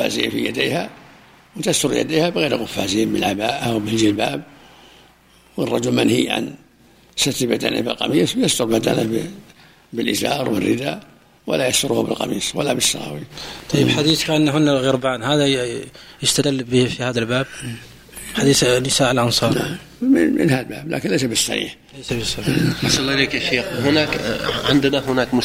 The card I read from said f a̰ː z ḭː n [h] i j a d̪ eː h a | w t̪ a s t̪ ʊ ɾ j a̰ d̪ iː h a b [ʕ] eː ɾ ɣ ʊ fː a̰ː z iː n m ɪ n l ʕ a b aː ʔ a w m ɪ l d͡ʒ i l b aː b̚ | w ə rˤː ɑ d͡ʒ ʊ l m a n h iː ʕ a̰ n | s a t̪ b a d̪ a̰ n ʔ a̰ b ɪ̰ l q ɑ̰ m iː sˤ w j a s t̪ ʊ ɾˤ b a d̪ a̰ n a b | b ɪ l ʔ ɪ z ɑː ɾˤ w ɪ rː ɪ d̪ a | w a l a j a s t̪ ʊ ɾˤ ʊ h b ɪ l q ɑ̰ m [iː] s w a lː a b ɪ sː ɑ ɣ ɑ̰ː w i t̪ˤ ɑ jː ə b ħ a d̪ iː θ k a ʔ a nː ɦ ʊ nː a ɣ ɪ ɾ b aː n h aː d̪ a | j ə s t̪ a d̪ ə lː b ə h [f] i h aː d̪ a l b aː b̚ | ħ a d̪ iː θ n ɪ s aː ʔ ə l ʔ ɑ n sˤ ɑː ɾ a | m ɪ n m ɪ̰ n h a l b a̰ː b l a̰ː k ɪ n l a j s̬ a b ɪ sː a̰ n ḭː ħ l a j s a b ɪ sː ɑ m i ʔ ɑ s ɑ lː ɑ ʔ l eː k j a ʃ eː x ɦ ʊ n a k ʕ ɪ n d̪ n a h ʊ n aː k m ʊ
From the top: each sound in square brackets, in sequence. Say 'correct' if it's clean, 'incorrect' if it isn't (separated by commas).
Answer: incorrect, incorrect, correct, correct